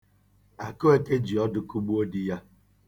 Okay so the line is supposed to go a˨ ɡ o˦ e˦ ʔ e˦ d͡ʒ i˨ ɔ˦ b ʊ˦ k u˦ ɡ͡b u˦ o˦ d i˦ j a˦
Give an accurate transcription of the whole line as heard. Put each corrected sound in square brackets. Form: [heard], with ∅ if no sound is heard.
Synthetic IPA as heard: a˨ [k] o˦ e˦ [k] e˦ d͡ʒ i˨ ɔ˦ [d] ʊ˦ k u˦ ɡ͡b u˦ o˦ d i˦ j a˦